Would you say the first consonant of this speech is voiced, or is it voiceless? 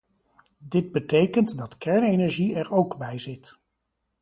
voiced